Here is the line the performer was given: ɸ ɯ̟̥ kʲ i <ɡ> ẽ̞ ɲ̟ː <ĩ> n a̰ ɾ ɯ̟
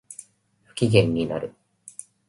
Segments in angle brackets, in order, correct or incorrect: correct, incorrect: i

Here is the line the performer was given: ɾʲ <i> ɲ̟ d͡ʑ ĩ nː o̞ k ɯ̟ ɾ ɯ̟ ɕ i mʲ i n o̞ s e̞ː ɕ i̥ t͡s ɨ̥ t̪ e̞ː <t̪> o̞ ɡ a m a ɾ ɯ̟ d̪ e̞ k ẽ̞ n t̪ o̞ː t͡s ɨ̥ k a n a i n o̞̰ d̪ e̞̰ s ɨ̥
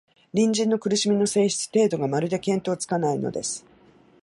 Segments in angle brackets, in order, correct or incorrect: incorrect: ĩ, incorrect: d̪

